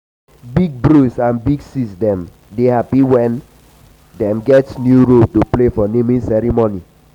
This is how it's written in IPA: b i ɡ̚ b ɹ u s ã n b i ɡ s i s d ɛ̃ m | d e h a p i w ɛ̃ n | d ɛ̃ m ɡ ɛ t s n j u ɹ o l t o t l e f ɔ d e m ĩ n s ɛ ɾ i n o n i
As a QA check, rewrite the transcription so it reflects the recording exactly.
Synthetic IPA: b i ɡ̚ b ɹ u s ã n b i ɡ s i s d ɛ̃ m | d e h a p i w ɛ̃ n | d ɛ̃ m ɡ ɛ t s n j u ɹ o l t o p l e f ɔ n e m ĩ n s ɛ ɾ i m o n i